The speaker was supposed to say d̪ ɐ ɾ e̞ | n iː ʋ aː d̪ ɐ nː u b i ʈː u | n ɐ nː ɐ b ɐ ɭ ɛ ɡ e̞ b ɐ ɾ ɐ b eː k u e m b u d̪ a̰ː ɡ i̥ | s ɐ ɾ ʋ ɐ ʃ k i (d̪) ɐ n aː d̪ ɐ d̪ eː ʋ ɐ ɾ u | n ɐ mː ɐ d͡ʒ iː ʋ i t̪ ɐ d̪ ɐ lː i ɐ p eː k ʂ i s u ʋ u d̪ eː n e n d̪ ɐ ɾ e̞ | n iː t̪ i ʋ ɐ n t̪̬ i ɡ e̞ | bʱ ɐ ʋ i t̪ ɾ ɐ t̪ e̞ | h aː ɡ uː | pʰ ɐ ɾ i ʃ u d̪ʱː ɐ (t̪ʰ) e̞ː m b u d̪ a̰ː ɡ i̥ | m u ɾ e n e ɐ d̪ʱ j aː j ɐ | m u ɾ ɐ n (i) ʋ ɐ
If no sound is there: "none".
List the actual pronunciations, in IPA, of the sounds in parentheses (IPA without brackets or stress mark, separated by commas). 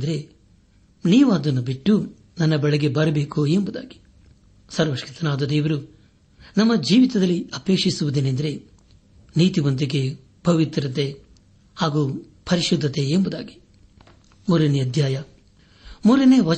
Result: t̪, t̪, e